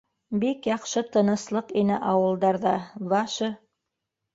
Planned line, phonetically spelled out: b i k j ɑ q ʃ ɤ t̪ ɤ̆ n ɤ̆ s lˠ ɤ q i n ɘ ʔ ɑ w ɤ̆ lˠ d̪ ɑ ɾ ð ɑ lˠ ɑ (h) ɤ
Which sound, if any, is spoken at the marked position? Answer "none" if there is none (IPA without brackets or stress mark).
ʃ